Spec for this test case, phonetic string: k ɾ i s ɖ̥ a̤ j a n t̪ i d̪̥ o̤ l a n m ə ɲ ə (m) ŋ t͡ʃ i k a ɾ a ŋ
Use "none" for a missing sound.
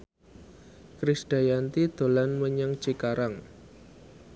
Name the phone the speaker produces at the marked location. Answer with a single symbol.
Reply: none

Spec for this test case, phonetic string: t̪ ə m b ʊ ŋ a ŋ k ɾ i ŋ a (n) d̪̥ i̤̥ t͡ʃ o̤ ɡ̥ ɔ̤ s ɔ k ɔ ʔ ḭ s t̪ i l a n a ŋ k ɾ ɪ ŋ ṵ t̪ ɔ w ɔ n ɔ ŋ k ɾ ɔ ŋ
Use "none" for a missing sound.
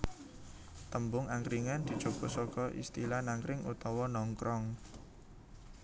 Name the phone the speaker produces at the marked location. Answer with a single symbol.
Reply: n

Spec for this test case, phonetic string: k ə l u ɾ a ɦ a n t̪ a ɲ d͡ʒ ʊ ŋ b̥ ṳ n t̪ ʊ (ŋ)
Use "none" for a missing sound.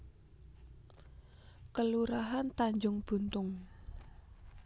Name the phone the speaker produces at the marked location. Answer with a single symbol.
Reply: ŋ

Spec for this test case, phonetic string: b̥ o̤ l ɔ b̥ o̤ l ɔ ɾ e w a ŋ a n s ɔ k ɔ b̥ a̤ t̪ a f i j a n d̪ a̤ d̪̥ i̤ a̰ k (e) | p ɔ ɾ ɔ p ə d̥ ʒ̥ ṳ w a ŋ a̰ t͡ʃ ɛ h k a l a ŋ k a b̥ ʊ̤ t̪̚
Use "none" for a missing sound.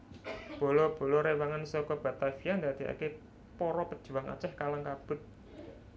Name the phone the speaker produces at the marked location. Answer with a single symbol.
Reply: e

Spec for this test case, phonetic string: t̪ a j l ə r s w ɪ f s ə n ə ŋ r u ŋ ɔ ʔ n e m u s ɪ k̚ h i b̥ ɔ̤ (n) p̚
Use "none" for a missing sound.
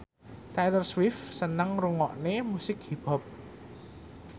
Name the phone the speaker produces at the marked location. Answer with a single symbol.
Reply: none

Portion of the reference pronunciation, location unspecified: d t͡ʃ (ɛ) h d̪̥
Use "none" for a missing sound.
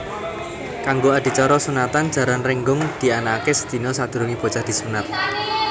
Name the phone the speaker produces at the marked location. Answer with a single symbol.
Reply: a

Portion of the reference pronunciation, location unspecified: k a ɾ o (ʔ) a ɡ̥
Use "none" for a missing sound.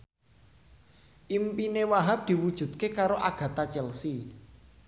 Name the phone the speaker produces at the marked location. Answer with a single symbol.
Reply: ʔ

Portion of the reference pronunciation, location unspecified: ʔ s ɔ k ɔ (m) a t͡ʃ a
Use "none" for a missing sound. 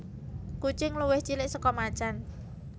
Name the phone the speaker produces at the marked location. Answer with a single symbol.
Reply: m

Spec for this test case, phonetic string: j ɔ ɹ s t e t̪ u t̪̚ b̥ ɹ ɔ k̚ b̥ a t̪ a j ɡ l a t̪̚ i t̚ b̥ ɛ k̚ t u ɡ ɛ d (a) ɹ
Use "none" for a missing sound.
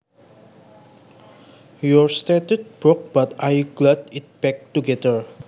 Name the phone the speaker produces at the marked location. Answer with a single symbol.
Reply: ə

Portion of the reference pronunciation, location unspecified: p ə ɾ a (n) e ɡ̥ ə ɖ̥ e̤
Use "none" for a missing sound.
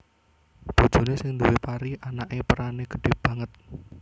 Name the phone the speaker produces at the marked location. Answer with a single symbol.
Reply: n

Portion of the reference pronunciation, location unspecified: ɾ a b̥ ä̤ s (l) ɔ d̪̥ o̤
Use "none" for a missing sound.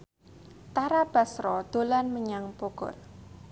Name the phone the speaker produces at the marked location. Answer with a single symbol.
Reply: ɾ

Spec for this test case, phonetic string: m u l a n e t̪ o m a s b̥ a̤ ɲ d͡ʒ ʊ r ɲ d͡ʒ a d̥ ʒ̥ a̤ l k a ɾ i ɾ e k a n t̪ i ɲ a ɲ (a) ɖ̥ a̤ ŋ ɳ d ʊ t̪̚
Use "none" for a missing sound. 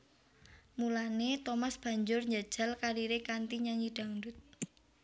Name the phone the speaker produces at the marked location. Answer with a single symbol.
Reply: i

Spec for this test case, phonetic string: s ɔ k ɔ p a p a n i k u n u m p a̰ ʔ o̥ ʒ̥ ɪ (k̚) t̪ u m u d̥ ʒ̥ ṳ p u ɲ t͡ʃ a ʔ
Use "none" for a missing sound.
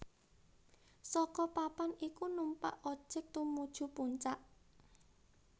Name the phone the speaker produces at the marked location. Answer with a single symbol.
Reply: k̚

